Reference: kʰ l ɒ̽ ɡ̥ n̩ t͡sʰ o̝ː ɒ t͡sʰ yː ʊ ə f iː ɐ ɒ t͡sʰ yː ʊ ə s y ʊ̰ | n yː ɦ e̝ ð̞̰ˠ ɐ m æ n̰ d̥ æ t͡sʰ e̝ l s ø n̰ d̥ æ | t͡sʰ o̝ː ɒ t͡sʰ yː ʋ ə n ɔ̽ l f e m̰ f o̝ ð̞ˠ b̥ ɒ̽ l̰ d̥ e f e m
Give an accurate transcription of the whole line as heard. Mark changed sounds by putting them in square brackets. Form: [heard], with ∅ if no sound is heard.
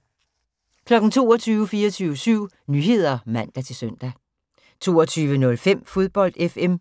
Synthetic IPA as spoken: kʰ l ɒ̽ ɡ̥ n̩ t͡sʰ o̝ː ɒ t͡sʰ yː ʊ ə f iː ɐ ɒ t͡sʰ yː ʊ ə s y ʊ̰ | n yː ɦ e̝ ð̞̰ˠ ɐ m æ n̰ d̥ æ t͡sʰ e̝ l s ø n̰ d̥ æ | t͡sʰ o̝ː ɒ t͡sʰ yː ʋ ə n ɔ̽ l f e m̰ f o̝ ð̞ˠ b̥ ɒ̽ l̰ d̥ e f e m

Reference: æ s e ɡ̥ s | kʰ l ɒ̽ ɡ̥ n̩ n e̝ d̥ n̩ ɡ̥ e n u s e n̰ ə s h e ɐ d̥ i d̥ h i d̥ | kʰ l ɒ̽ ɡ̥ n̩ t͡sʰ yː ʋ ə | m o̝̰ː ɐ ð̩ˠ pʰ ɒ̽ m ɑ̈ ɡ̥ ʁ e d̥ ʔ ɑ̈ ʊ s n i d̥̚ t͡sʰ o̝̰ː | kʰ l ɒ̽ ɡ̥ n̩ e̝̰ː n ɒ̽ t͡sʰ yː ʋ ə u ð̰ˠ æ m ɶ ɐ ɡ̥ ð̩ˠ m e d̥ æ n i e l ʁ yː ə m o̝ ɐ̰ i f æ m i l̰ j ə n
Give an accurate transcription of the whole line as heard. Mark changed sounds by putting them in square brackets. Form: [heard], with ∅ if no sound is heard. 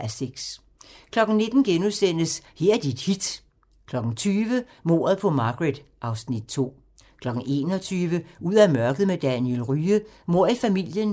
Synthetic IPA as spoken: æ s e ɡ̥ s | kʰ l ɒ̽ ɡ̥ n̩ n e̝ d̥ n̩ ɡ̥ e n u s e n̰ ə s h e ɐ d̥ i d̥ h i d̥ | kʰ l ɒ̽ ɡ̥ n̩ t͡sʰ yː ʋ ə | m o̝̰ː ɐ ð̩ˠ pʰ ɒ̽ m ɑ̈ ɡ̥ ʁ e d̥ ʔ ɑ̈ ʊ s n i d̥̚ t͡sʰ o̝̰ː | kʰ l ɒ̽ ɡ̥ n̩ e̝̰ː n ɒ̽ t͡sʰ yː ʋ ə u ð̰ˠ æ m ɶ ɐ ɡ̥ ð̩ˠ m e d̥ æ n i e l ʁ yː ə m o̝ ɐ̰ i f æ m i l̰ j ə n

